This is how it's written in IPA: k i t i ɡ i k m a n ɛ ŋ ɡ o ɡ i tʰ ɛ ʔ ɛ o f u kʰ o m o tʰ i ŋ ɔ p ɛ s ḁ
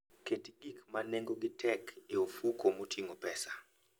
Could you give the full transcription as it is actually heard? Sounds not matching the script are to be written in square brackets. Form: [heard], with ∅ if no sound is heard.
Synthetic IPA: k [e] t i ɡ i k m a n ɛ ŋ ɡ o ɡ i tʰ ɛ [k] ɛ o f u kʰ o m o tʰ i ŋ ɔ p ɛ s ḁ